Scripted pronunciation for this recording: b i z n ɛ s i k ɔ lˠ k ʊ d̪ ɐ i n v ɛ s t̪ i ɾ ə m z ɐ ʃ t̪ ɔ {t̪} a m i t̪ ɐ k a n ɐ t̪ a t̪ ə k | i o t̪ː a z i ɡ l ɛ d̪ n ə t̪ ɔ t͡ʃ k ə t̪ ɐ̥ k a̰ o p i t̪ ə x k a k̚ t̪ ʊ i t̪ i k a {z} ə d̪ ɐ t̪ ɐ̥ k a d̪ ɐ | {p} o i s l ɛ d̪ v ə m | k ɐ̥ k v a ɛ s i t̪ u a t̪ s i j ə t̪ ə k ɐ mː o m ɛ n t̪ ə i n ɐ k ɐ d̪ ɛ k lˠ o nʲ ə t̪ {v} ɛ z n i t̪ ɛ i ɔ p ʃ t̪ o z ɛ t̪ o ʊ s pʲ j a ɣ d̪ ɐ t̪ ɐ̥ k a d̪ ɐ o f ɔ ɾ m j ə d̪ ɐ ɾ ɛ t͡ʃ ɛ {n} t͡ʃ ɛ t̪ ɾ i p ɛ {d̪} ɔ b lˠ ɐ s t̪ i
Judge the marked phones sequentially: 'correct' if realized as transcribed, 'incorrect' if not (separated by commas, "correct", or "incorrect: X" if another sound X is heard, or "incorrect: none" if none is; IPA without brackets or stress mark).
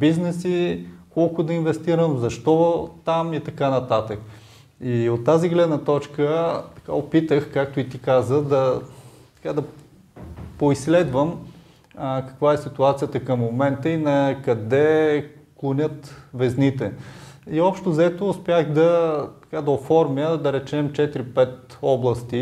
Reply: correct, correct, correct, correct, incorrect: m, incorrect: t̪